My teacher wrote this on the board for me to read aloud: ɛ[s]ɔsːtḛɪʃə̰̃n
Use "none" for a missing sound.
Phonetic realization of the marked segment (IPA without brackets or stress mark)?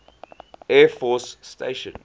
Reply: f